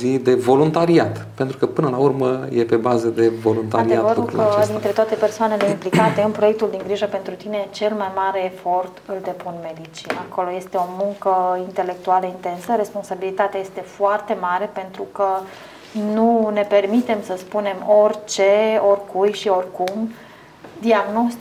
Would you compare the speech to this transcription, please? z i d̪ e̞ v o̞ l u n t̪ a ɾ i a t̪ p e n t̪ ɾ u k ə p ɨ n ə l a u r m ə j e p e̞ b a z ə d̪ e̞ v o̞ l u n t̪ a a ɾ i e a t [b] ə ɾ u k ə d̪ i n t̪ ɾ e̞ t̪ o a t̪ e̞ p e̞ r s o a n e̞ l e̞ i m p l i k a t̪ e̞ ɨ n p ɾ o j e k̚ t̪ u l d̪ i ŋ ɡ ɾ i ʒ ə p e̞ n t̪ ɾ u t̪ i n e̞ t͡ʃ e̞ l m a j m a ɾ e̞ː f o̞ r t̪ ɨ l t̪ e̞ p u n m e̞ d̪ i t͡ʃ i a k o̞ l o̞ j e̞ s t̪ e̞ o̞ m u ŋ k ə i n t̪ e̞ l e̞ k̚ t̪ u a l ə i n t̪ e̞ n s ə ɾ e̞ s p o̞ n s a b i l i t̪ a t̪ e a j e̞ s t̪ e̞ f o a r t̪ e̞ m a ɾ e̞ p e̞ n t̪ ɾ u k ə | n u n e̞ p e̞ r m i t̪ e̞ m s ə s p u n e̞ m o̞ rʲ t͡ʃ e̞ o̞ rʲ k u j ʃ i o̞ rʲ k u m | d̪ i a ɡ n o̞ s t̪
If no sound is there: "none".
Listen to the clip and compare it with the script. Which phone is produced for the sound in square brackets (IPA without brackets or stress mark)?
v